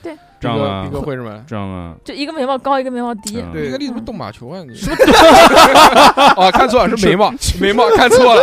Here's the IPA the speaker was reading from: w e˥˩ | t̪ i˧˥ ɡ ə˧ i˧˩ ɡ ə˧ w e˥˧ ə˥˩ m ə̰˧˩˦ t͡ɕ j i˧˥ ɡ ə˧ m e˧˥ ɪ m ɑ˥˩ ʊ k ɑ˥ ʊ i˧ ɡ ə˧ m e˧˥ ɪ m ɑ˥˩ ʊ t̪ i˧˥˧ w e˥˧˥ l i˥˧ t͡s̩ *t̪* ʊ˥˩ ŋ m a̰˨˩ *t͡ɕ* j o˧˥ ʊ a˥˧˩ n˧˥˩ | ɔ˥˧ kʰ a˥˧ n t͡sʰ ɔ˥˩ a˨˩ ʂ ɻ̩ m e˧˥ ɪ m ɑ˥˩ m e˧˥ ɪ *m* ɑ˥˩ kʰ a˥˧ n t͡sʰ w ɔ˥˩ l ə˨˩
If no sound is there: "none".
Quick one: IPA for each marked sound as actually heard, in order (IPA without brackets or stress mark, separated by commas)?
t̪, t͡ɕʰ, m